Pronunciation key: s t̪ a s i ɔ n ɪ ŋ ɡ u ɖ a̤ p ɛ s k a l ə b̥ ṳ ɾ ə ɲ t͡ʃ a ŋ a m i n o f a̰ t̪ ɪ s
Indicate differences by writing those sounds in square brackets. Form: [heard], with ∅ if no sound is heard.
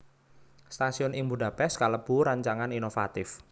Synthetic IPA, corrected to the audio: s t̪ a s i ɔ n ɪ ŋ [b] u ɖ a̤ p ɛ s k a l ə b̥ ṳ ɾ [a] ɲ t͡ʃ a ŋ a [n] i n o f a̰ t̪ ɪ [f]